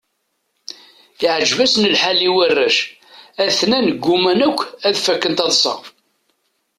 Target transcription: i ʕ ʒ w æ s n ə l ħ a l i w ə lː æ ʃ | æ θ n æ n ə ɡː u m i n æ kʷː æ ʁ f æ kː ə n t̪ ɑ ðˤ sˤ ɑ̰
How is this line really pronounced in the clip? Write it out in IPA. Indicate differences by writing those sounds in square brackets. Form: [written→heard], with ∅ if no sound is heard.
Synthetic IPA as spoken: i ʕ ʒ [w→v] æ s n ə l ħ a l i w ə [lː→rː] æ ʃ | æ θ n æ n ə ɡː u m [i→æ] n æ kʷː æ [ʁ→ð] f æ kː ə n t̪ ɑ ðˤ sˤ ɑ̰